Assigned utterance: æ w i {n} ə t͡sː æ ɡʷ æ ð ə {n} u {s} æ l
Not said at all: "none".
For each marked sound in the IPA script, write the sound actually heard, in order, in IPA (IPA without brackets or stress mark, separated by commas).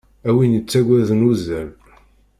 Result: n, n, z